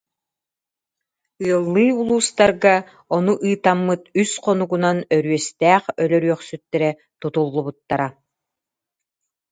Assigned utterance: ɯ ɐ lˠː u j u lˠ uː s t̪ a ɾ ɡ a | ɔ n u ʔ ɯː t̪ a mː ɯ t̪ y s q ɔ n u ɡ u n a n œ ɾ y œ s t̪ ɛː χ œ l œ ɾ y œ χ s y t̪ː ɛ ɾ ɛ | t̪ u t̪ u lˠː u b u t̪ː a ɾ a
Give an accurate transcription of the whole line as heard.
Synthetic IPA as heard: ɯ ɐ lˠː ɯ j u lˠ uː s t̪ a ɾ ɡ a | ɔ n u ʔ ɯː t̪ a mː ɯ t̪ y s q ɔ n u ɡ u n a n œ ɾ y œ s t̪ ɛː χ œ l œ ɾ y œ χ s y t̪ː ɛ ɾ ɛ | t̪ u t̪ u lˠː u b u t̪ː a ɾ a